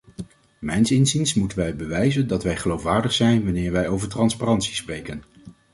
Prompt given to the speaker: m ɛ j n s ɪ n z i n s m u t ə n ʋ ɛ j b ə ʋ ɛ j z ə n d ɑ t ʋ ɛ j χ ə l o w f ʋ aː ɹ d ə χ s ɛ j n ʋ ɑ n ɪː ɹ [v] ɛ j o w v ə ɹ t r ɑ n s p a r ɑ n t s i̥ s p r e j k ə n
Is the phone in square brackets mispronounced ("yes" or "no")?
yes